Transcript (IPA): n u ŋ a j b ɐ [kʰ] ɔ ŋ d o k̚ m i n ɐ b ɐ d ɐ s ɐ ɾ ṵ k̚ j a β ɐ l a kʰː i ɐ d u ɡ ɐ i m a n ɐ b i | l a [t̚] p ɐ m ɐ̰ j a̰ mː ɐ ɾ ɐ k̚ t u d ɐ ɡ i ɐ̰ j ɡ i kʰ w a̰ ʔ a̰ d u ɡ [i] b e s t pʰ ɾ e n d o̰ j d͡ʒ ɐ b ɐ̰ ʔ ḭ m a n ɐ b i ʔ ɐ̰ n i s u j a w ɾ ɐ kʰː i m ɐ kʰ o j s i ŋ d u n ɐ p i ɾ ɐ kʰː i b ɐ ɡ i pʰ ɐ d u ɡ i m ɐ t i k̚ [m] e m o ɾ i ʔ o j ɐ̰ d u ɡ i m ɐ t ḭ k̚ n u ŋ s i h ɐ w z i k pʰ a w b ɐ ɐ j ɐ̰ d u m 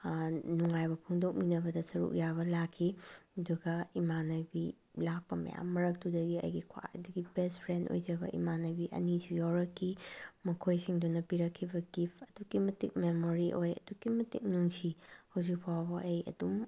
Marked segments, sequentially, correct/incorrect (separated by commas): incorrect, incorrect, correct, correct